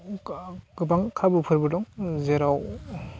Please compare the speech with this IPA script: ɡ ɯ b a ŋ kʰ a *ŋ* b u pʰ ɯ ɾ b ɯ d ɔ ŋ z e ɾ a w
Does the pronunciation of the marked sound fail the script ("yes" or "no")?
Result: yes